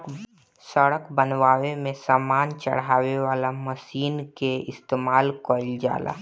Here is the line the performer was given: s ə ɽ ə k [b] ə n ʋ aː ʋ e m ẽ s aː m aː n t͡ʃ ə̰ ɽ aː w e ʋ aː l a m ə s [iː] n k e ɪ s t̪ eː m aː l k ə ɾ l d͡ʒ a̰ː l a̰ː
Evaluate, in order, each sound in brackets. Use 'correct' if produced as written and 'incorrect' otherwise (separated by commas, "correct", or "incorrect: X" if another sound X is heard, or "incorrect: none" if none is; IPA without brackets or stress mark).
correct, correct